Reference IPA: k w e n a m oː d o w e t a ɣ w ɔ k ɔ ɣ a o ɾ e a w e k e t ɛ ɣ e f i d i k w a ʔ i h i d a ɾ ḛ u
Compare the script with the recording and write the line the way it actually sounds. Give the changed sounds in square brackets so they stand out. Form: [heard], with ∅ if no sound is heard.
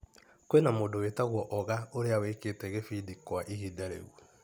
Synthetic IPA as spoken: k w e n a m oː d o w e t a ɣ w ɔ [ʔ] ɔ ɣ a o ɾ e a w e k e t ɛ ɣ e f i d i k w a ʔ i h i d a ɾ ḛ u